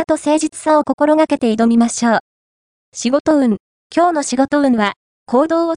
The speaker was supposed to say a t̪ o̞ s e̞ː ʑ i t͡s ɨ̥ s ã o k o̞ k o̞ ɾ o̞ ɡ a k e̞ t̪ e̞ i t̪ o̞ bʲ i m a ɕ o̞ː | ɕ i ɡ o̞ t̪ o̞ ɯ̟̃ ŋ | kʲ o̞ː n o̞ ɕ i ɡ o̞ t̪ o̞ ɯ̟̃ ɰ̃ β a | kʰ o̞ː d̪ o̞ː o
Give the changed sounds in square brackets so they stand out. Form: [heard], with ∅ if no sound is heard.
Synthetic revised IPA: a t̪ o̞ s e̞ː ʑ i t͡s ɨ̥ s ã o k o̞ k o̞ ɾ o̞ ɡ a k e̞ t̪ e̞ i [d̪] o̞ [mʲ] i m a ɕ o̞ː | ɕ i ɡ o̞ t̪ o̞ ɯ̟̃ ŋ | kʲ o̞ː n o̞ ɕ i ɡ o̞ t̪ o̞ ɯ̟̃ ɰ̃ β a | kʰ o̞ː d̪ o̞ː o